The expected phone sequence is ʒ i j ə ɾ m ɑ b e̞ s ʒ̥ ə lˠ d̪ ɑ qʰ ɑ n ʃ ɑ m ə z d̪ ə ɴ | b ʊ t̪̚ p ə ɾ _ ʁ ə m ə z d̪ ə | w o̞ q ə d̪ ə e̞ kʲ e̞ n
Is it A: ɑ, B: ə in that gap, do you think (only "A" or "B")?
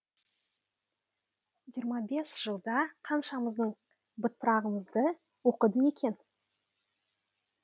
A